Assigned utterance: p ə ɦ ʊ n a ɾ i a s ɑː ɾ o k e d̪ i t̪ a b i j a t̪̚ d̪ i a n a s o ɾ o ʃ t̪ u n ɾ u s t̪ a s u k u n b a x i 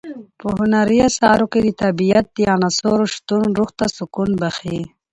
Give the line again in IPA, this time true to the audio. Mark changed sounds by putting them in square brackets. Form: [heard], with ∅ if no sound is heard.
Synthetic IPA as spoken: p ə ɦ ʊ n a ɾ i a s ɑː ɾ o k e d̪ i t̪ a b i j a t̪̚ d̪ i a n a s o ɾ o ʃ t̪ u n ɾ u [x] t̪ a s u k u n b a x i